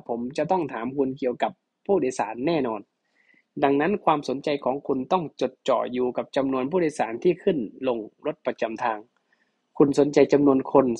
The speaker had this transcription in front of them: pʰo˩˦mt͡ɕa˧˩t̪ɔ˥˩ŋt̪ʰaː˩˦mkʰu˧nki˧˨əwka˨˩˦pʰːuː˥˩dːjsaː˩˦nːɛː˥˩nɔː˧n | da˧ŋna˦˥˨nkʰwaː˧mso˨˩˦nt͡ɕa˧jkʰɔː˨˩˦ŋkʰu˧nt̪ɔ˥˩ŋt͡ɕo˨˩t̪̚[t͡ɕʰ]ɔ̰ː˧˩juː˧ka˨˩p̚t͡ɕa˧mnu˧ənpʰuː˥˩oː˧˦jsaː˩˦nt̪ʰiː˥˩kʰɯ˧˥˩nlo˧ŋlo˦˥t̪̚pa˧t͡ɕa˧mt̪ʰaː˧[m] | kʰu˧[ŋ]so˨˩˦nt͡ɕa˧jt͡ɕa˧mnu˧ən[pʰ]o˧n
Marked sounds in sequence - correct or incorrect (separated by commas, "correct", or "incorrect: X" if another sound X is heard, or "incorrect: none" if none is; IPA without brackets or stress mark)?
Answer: incorrect: t͡ɕ, incorrect: ŋ, incorrect: n, incorrect: kʰ